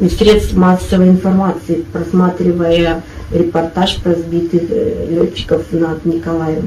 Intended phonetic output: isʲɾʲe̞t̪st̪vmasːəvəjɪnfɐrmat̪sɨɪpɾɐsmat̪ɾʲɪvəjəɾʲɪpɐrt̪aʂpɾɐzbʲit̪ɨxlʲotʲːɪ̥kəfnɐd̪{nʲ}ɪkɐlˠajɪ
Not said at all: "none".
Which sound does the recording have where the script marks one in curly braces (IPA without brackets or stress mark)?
nʲ